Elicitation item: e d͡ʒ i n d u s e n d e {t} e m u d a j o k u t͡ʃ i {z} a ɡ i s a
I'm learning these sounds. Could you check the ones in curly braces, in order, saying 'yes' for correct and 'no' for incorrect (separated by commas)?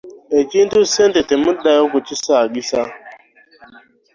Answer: yes, no